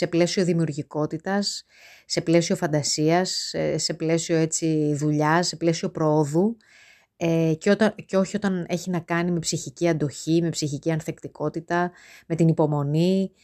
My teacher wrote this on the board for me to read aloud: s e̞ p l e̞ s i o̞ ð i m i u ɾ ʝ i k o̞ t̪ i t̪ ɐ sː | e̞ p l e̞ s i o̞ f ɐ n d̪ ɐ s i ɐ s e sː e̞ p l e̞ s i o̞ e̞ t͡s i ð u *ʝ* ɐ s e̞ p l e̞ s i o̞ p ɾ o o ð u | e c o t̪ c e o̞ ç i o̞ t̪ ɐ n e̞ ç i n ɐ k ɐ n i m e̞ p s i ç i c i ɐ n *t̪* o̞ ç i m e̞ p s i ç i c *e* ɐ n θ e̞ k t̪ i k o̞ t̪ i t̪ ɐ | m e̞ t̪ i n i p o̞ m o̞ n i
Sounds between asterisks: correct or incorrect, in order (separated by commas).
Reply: incorrect, incorrect, incorrect